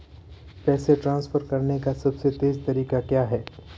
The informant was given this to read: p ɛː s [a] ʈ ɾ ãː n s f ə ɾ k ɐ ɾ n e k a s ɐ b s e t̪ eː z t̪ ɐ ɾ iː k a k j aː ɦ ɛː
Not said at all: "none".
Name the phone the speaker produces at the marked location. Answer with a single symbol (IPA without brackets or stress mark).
e